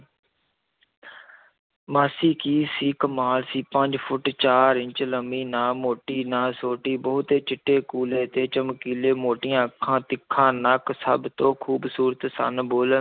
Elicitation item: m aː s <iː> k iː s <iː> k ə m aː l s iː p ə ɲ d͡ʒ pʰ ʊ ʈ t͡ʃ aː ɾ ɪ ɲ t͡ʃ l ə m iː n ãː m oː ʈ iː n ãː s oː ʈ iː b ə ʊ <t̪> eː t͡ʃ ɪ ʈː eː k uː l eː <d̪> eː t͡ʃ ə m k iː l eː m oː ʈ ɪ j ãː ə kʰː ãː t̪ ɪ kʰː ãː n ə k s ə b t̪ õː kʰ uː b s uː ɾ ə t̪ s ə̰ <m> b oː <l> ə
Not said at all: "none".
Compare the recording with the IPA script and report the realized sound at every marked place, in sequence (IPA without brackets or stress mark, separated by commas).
iː, iː, t̪, t̪, n, l